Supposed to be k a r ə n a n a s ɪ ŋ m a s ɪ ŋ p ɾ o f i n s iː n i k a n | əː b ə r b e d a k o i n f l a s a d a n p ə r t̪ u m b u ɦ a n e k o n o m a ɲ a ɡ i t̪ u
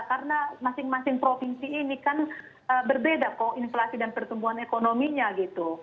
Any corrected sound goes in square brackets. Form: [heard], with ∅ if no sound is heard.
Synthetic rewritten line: k a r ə n a [m] a s ɪ ŋ m a s ɪ ŋ p ɾ o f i n s iː n i k a n | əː b ə r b e d a k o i n f l a s [i] d a n p ə r t̪ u m b u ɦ a n e k o n o m [i] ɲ a ɡ i t̪ u